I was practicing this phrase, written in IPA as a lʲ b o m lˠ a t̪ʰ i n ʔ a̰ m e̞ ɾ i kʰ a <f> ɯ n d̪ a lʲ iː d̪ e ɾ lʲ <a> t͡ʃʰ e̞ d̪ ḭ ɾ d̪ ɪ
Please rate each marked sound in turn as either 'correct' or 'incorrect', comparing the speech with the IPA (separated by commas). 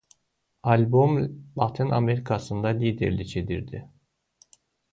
incorrect, incorrect